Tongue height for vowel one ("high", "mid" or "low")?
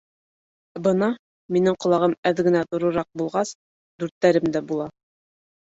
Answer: mid